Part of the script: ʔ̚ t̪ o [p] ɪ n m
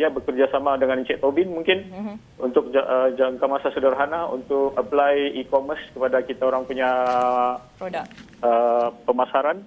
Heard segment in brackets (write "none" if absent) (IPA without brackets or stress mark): b